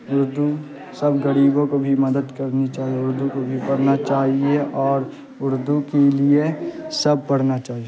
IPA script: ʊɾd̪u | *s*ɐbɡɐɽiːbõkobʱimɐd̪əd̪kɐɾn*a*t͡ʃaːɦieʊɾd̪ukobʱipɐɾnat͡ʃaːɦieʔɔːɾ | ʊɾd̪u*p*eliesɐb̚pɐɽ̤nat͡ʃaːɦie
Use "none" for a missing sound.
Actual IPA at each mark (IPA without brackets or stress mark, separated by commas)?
s, i, k